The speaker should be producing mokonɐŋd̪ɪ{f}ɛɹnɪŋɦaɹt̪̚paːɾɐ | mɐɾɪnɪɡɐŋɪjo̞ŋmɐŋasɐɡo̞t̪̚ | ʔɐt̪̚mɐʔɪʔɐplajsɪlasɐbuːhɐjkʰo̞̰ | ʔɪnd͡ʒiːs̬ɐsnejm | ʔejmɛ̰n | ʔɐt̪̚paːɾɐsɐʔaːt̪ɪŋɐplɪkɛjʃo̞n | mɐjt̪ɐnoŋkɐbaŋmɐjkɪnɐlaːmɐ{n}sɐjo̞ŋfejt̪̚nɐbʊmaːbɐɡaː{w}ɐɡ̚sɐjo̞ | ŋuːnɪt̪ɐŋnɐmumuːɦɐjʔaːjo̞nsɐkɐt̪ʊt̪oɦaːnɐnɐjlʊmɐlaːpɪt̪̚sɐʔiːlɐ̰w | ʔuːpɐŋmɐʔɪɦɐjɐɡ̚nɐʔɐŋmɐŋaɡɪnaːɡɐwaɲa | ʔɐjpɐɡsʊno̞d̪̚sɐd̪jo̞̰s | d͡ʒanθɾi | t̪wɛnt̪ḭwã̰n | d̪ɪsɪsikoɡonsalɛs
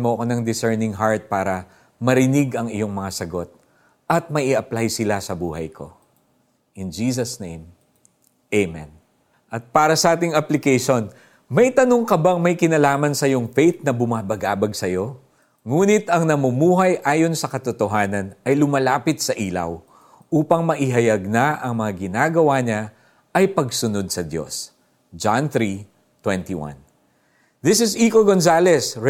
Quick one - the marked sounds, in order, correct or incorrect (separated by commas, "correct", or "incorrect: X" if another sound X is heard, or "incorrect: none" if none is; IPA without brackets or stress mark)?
incorrect: s, correct, incorrect: b